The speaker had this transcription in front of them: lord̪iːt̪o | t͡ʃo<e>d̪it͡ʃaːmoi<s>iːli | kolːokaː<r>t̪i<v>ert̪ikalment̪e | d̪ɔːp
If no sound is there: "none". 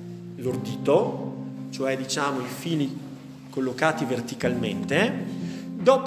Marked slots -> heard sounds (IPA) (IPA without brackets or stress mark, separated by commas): ɛ, f, none, v